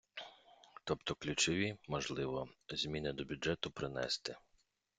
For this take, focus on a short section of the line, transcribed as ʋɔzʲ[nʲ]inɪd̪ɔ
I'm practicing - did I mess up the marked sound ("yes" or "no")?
yes